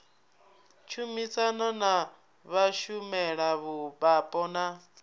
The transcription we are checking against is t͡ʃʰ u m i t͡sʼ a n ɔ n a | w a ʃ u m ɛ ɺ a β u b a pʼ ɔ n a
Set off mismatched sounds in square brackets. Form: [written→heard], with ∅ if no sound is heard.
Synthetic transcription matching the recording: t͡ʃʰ u m i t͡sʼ a n ɔ n a | [w→β] a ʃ u m ɛ ɺ a β u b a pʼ ɔ n a